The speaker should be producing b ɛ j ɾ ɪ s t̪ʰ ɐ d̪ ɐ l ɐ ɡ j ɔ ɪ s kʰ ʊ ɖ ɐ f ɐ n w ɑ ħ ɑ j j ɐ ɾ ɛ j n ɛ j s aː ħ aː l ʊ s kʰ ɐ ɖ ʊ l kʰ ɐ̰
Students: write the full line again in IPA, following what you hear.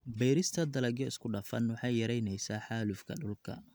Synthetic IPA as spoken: b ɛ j ɾ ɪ s t̪ʰ ɐ d̪ ɐ l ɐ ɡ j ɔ ɪ s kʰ ʊ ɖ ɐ f ɐ n w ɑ ħ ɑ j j ɐ ɾ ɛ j n ɛ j s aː ħ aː l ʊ f kʰ ɐ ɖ ʊ l kʰ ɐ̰